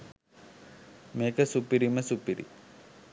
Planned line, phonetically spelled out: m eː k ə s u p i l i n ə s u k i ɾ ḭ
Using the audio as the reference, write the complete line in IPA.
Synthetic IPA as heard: m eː k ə s u p i ɾ i m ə s u p i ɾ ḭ